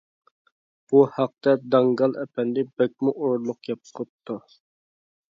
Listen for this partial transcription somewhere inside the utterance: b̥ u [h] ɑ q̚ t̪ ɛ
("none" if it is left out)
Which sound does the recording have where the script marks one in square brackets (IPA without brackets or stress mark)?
h